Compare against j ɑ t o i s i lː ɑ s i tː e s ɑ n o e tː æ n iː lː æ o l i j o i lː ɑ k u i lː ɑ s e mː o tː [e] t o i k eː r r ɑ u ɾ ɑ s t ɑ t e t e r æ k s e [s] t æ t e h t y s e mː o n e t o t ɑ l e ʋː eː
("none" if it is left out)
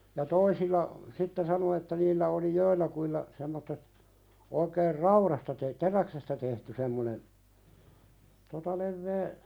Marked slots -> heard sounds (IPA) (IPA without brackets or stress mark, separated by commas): e, s